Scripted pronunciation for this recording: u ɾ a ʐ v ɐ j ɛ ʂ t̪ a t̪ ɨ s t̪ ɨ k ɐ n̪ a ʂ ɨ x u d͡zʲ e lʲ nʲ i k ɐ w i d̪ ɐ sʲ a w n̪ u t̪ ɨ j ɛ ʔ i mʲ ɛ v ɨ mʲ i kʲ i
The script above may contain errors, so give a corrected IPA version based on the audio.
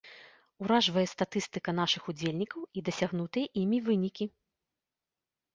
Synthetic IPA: u ɾ a ʐ v ɐ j ɛ s t̪ a t̪ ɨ s t̪ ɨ k ɐ n̪ a ʂ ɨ x u d͡zʲ e lʲ nʲ i k ɐ w i d̪ ɐ sʲ a ɣ n̪ u t̪ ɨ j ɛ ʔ i mʲ i v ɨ nʲ i kʲ i